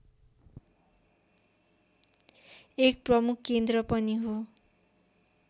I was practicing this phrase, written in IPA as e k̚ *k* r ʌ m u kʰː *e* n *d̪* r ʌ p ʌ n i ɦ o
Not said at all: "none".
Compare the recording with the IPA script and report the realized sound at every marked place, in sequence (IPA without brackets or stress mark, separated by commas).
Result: p, e, d̪